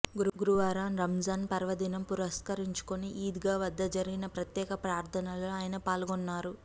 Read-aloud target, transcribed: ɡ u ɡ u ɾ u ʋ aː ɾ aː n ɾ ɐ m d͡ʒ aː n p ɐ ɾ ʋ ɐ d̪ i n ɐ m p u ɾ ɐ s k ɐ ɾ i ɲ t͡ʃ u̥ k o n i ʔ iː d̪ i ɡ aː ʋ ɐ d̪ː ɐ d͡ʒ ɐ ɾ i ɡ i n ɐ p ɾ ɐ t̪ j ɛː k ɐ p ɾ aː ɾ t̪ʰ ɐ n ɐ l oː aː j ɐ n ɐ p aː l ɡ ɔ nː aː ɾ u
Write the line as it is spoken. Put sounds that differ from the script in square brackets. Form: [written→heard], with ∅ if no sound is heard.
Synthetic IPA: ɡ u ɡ u ɾ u ʋ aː ɾ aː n ɾ ɐ m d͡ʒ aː n p ɐ ɾ ʋ ɐ d̪ i n ɐ m p u ɾ ɐ s k ɐ ɾ i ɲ t͡ʃ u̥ k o n i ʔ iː d̪ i ɡ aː ʋ ɐ d̪ː ɐ d͡ʒ ɐ ɾ i ɡ i n ɐ p ɾ ɐ t̪ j ɛː k ɐ p ɾ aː ɾ t̪ʰ ɐ n ɐ l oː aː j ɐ n ɐ p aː l ɡ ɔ nː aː ɾ u